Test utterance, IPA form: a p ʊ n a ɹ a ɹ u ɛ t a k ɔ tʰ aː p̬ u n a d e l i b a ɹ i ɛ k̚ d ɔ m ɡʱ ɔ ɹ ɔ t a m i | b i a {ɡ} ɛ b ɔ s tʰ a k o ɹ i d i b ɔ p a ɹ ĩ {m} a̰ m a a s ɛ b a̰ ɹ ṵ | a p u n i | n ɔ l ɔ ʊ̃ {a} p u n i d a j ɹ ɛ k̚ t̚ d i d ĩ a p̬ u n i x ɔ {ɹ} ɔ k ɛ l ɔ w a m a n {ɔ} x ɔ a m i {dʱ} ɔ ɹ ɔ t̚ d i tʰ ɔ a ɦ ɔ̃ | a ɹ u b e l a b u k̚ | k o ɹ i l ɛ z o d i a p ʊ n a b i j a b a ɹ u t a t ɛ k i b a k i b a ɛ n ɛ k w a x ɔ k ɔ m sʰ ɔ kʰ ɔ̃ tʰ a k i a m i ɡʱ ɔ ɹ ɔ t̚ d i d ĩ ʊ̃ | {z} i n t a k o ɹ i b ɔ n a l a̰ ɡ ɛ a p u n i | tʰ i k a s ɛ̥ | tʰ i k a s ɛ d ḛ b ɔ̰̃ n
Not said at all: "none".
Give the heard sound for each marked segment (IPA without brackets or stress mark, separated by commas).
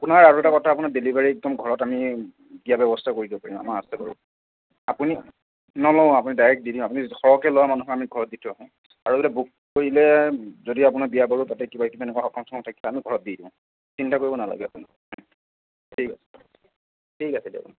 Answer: b, m, a, ɹ, u, ɡʱ, s